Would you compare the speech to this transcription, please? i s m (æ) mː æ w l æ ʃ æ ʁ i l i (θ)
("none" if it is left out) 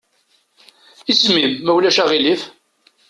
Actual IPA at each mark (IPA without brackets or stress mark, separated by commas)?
i, f